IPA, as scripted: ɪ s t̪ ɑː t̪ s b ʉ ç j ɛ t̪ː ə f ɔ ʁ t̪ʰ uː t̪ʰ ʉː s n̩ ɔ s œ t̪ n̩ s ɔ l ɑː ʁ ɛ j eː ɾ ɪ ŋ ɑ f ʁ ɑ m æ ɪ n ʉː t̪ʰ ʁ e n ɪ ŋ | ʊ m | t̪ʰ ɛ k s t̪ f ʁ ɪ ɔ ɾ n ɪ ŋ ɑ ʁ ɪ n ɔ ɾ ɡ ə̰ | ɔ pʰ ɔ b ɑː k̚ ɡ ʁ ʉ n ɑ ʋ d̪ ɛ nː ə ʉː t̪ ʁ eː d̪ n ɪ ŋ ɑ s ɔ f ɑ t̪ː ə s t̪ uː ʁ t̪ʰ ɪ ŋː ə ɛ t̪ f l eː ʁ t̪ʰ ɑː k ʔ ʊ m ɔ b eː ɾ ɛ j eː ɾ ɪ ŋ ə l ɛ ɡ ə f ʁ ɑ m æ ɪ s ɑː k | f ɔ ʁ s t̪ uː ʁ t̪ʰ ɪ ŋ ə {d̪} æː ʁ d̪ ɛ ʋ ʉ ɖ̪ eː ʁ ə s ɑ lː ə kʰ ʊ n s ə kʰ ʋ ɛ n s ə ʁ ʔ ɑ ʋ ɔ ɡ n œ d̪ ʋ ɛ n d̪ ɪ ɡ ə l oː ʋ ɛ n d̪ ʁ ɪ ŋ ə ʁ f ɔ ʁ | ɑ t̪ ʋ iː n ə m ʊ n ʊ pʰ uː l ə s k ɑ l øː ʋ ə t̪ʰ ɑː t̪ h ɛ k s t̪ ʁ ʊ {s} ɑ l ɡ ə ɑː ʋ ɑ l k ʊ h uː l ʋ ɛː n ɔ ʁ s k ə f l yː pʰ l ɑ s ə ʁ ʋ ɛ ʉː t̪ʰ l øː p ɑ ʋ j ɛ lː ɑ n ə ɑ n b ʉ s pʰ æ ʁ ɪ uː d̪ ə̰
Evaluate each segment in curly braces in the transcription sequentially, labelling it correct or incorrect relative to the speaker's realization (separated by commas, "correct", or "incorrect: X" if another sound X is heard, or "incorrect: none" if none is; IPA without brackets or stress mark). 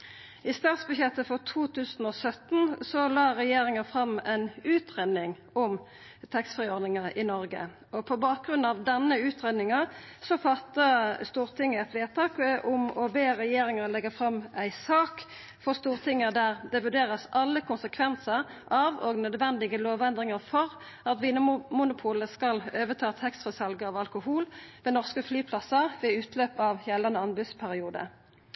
correct, correct